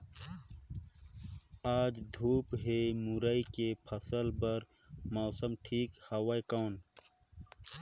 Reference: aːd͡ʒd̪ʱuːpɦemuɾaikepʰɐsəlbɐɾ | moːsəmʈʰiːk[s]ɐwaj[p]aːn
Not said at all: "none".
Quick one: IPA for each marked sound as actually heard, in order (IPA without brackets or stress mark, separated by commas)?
h, k